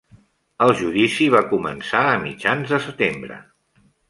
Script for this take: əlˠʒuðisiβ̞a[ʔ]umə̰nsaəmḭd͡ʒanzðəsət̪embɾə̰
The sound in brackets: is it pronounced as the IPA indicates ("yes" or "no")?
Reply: no